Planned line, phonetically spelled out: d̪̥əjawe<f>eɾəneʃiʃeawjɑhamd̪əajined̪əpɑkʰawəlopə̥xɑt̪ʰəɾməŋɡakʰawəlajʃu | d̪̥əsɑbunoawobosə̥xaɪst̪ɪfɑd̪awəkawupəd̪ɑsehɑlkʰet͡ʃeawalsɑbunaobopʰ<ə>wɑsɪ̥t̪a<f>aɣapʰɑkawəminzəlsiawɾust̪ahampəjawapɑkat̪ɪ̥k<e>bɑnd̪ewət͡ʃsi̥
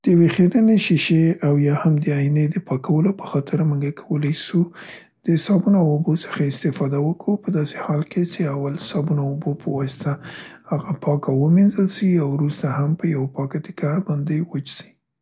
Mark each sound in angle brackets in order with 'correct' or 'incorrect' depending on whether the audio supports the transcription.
incorrect: x, correct, incorrect: h, incorrect: a

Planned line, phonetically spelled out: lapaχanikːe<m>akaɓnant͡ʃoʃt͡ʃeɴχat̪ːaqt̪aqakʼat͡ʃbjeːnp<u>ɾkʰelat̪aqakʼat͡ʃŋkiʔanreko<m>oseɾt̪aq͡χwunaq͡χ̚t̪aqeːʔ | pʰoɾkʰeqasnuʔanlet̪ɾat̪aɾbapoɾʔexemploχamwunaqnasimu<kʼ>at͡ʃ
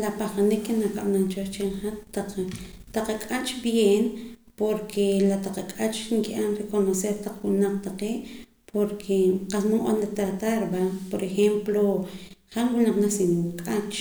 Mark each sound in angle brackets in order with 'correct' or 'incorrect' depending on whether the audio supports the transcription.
incorrect: n, incorrect: o, incorrect: n, correct

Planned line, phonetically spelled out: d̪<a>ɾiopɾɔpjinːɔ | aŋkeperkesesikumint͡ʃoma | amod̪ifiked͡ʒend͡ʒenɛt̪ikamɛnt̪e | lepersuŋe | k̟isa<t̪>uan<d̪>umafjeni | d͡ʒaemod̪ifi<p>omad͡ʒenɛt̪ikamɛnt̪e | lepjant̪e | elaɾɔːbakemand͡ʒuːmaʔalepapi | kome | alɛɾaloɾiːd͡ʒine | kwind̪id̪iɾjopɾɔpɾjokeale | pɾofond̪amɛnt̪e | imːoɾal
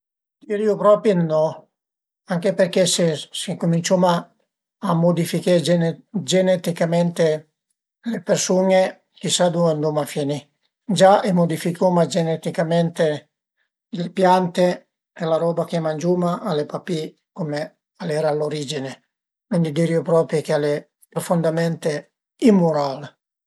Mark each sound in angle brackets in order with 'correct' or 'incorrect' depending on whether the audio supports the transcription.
incorrect: i, incorrect: d̪, correct, incorrect: k

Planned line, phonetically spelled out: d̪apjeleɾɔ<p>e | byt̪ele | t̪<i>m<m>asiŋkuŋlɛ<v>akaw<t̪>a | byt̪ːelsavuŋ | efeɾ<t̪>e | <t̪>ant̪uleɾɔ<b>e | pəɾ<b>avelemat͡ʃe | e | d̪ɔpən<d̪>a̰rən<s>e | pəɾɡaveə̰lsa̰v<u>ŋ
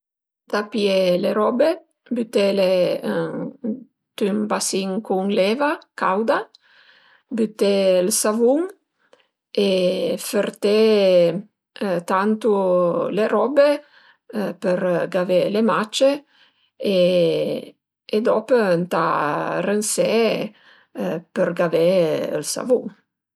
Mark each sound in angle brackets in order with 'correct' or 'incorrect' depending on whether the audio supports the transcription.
incorrect: b, incorrect: y, incorrect: b, correct, incorrect: d̪, correct, correct, correct, incorrect: ɡ, incorrect: t̪, correct, correct

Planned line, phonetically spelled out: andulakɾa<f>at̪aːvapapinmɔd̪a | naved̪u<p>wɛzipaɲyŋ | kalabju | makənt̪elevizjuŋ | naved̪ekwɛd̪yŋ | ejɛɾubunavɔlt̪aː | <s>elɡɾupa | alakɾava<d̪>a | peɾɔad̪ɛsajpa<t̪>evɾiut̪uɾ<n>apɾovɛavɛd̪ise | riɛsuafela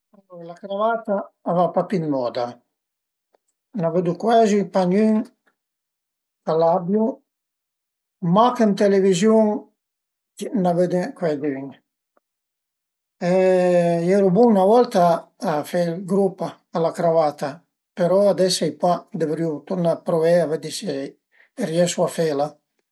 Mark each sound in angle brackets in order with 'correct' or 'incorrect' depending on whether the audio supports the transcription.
incorrect: v, incorrect: k, incorrect: f, incorrect: t̪, incorrect: d̪, correct

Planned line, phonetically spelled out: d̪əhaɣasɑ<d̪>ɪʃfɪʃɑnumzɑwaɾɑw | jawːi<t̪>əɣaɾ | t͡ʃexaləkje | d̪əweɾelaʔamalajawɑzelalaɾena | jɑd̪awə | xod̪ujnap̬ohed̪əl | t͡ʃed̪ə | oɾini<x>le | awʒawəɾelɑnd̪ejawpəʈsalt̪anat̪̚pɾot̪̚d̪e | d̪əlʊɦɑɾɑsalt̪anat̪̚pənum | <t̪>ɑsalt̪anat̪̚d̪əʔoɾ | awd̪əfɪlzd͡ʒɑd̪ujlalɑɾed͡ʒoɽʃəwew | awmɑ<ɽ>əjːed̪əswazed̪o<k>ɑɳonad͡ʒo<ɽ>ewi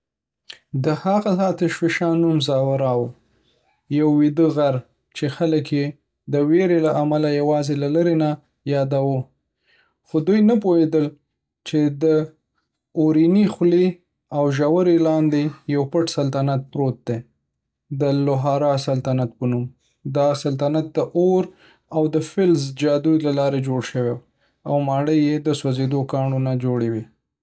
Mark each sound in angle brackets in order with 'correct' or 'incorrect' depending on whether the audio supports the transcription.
incorrect: t̪, incorrect: d̪, correct, incorrect: d̪, correct, correct, correct

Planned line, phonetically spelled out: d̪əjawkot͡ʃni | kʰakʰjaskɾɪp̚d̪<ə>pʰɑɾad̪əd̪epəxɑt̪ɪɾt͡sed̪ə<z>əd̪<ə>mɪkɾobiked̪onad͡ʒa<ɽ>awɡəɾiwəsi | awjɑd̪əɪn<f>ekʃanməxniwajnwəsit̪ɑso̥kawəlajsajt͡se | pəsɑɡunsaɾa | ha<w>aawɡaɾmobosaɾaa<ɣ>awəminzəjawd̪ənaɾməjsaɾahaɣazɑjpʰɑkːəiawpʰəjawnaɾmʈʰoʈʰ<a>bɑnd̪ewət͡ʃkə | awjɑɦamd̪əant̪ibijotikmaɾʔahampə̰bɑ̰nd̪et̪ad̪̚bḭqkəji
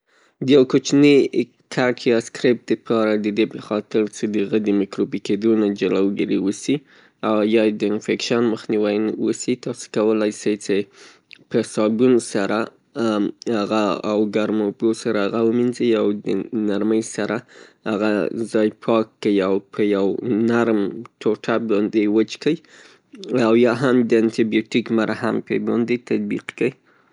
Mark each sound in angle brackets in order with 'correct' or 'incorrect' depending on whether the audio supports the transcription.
correct, incorrect: ɣ, correct, incorrect: l, correct, incorrect: ɣ, correct, correct

